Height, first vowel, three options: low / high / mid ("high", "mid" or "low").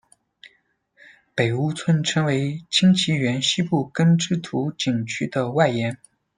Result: mid